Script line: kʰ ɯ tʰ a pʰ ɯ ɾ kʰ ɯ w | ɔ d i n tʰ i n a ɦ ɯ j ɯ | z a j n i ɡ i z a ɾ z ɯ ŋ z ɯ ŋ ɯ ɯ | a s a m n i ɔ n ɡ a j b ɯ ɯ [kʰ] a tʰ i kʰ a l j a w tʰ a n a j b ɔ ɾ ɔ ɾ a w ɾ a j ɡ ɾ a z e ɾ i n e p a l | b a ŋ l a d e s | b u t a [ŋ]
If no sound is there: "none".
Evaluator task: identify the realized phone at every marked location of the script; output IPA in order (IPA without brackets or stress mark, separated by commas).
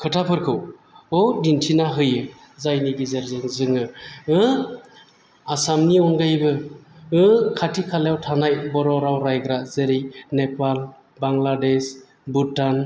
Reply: kʰ, n